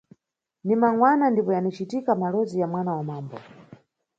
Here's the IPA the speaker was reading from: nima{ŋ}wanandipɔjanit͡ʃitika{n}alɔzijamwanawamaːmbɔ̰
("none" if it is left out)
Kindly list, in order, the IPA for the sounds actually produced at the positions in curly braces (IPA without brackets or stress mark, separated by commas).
ŋ, m